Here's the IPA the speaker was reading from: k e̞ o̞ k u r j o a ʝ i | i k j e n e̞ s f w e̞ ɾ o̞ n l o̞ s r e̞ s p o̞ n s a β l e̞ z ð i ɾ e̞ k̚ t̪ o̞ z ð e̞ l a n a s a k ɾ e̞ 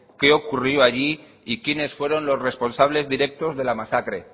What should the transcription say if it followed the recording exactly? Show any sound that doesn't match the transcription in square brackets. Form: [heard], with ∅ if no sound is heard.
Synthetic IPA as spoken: k e̞ o̞ k u r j o a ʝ i | i k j e n e̞ s f w e̞ ɾ o̞ n l o̞ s r e̞ s p o̞ n s a β l e̞ z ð i ɾ e̞ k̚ t̪ o̞ z ð e̞ l a [m] a s a k ɾ e̞